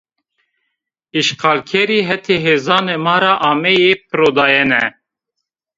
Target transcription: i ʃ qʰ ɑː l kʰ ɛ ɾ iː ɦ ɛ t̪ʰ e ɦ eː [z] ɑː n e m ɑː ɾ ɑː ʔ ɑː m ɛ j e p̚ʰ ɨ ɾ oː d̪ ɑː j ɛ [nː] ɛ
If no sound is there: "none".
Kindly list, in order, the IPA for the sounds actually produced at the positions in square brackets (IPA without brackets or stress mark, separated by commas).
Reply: z, n